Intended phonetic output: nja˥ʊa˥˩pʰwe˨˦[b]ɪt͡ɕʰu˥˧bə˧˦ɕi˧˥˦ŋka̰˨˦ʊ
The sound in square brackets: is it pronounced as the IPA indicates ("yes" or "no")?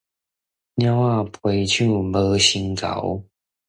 no